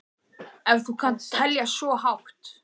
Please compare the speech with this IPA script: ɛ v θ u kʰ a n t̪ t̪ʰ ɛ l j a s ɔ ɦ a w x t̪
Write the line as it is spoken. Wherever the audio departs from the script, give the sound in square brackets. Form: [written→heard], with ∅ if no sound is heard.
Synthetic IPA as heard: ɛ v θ u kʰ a n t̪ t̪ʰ ɛ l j a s ɔ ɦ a w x t̪